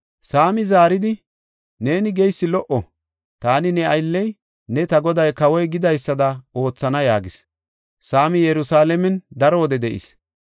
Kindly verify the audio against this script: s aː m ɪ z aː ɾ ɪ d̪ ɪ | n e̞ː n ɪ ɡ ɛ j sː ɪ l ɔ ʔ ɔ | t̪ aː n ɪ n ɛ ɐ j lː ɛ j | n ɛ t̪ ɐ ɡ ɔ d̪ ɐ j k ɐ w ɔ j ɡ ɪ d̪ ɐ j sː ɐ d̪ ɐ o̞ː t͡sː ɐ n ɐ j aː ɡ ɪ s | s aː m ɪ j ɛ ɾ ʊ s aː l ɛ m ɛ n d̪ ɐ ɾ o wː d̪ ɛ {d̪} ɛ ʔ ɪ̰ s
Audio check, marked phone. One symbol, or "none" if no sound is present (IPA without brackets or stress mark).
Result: d̪